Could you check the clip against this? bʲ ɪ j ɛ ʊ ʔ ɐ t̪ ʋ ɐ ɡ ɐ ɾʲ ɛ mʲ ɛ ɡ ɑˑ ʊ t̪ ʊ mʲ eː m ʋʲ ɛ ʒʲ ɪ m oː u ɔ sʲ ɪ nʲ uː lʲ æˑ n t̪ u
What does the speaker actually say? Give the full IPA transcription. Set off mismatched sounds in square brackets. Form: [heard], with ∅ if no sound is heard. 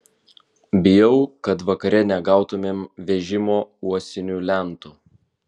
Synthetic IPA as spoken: bʲ ɪ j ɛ ʊ [k] ɐ t̪ ʋ ɐ [k] ɐ ɾʲ ɛ [nʲ] ɛ ɡ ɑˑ ʊ t̪ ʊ mʲ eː m ʋʲ ɛ ʒʲ ɪ m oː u ɔ sʲ ɪ nʲ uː lʲ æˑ n t̪ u

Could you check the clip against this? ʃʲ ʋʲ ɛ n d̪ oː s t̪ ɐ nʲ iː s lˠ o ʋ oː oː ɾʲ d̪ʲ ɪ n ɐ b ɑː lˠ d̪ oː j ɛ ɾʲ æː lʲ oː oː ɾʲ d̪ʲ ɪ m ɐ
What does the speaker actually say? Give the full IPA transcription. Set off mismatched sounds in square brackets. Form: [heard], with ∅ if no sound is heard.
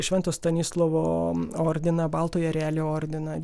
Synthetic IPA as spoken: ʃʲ ʋʲ ɛ n [t̪] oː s t̪ ɐ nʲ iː s lˠ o ʋ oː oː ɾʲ d̪ʲ ɪ n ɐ b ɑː lˠ [t̪] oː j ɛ ɾʲ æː lʲ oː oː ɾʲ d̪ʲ ɪ [n] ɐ

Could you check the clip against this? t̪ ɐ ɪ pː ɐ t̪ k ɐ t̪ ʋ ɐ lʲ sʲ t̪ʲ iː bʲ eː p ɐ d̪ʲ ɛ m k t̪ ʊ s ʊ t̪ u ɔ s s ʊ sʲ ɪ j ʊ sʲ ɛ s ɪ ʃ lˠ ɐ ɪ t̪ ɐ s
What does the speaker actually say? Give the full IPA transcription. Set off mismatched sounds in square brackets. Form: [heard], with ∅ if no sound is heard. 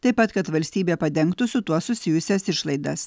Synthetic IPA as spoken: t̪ ɐ ɪ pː ɐ t̪ k ɐ t̪ ʋ ɐ lʲ sʲ t̪ʲ iː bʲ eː p ɐ d̪ʲ ɛ [ŋ] k t̪ ʊ s ʊ t̪ u ɔ s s ʊ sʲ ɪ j ʊ sʲ ɛ s ɪ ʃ lˠ ɐ ɪ [d̪] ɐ s

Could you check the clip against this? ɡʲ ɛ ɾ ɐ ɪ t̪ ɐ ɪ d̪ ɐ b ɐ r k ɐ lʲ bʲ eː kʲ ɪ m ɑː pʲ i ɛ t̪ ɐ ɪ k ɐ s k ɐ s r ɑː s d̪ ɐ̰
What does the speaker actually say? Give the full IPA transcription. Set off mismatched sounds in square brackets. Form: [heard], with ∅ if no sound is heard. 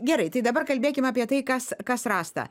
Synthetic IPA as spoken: ɡʲ ɛ ɾ ɐ ɪ t̪ ɐ ɪ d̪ ɐ b ɐ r k ɐ lʲ bʲ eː kʲ ɪ m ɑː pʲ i ɛ t̪ ɐ ɪ k ɐ s k ɐ s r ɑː s [t̪] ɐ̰

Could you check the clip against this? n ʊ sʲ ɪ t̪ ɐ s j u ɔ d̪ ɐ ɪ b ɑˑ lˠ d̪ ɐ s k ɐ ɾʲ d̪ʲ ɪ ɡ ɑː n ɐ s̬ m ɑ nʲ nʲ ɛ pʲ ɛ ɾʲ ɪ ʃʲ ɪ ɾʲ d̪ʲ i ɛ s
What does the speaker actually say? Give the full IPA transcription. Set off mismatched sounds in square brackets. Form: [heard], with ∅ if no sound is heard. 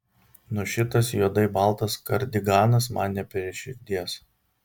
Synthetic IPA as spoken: n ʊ [ʃʲ] ɪ t̪ ɐ s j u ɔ d̪ ɐ ɪ b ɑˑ lˠ [t̪] ɐ s k ɐ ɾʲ d̪ʲ ɪ ɡ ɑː n ɐ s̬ m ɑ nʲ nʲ ɛ pʲ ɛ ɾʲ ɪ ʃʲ ɪ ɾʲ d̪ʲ i ɛ s

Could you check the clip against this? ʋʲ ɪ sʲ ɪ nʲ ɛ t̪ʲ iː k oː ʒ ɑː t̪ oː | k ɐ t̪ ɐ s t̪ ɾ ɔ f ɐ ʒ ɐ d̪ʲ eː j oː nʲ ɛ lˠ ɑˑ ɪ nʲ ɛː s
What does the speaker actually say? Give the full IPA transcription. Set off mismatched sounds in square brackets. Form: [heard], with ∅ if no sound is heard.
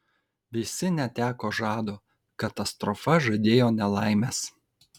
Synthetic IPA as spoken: ʋʲ ɪ sʲ ɪ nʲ ɛ t̪ʲ [æː] k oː ʒ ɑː [d̪] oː | k ɐ t̪ ɐ s t̪ ɾ ɔ f ɐ ʒ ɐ d̪ʲ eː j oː nʲ ɛ lˠ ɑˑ ɪ [mʲ] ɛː s

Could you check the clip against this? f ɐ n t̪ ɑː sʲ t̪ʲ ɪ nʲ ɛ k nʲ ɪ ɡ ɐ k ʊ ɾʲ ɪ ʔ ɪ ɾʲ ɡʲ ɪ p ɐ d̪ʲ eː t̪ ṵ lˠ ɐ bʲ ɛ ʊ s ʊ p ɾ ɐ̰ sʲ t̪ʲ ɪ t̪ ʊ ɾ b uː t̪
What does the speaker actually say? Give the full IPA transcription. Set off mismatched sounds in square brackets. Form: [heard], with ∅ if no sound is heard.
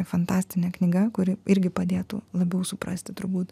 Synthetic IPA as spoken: f ɐ n t̪ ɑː sʲ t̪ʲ ɪ nʲ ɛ k nʲ ɪ ɡ ɐ k ʊ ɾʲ ɪ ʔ ɪ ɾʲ ɡʲ ɪ p ɐ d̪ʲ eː t̪ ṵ lˠ ɐ bʲ ɛ ʊ s ʊ p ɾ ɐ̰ sʲ t̪ʲ ɪ t̪ ʊ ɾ b uː t̪

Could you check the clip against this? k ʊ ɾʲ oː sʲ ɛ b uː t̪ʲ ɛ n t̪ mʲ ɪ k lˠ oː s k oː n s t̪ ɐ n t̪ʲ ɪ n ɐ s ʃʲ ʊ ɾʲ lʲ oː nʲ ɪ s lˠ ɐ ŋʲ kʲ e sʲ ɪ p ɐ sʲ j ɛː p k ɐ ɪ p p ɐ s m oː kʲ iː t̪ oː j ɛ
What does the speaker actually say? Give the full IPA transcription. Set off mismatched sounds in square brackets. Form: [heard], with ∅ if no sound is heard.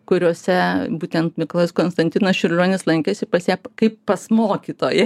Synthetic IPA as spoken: k ʊ ɾʲ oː sʲ ɛ b uː t̪ʲ ɛ n t̪ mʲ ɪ k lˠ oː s k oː n s t̪ ɐ n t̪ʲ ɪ n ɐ s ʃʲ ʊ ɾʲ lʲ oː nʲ ɪ s lˠ ɐ ŋʲ kʲ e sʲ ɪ p ɐ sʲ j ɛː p k ɐ ɪ p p ɐ s m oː kʲ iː t̪ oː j ɛ

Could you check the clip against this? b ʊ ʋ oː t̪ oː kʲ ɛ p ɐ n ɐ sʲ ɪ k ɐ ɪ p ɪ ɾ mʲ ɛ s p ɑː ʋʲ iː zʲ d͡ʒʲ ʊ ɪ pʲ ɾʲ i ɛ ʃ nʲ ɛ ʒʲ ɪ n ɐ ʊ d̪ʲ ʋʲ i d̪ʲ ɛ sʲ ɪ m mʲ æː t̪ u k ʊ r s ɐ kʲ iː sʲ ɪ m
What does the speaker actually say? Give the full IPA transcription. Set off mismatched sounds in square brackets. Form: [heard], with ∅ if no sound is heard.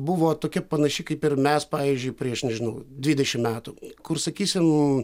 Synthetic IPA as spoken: b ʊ ʋ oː t̪ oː kʲ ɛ p ɐ n ɐ [ʃʲ] ɪ k ɐ ɪ p ɪ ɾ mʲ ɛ s p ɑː ʋʲ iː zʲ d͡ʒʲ ʊ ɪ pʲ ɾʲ i ɛ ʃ nʲ ɛ ʒʲ ɪ n ɐ ʊ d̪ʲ ʋʲ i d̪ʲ ɛ [ʃʲ] ɪ m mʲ æː t̪ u k ʊ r s ɐ kʲ iː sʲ ɪ m

